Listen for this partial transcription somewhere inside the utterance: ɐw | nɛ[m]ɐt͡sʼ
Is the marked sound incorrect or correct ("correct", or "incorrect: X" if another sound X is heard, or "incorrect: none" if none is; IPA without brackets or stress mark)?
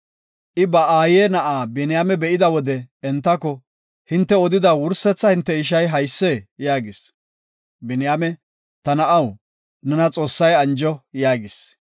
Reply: incorrect: n